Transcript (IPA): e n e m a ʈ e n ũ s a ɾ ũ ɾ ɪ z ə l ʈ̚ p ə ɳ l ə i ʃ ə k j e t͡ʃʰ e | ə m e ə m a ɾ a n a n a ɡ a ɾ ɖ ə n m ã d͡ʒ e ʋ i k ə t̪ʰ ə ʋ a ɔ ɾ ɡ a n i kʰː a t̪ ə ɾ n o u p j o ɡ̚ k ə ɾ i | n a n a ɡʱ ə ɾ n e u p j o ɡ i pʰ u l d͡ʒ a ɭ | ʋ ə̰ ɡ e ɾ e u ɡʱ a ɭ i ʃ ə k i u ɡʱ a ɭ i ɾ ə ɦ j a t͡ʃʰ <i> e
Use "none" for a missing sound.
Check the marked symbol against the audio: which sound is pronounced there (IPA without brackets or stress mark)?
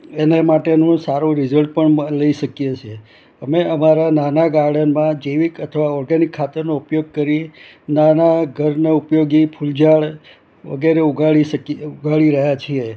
i